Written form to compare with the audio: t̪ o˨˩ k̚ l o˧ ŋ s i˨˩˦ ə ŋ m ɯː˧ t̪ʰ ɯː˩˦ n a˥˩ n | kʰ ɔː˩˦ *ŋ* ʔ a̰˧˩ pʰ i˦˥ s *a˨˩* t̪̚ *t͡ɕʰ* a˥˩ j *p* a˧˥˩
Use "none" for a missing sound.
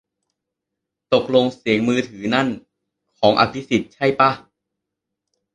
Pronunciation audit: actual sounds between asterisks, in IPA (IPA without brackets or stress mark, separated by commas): ŋ, i˨˩, t͡ɕʰ, p